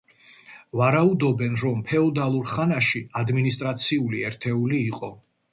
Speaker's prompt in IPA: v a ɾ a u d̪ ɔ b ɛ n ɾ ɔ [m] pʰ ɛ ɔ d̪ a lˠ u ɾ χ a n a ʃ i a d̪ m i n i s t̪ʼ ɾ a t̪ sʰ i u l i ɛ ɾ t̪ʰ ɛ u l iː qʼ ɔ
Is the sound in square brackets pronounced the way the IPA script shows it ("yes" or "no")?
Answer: yes